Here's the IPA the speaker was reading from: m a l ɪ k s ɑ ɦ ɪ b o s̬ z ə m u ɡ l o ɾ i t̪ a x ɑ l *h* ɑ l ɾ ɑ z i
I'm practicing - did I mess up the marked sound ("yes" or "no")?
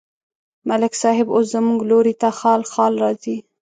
yes